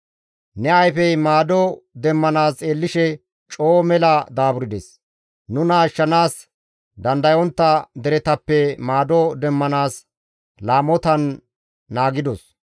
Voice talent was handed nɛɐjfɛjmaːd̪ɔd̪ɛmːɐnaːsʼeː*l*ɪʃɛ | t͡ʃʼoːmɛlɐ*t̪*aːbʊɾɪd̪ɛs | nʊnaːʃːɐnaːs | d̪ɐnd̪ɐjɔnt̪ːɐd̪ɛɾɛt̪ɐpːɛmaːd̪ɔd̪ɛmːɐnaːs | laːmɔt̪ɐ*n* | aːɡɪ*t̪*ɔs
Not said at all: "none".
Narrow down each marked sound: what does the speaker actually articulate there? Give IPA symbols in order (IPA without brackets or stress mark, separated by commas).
lː, d̪, nː, d̪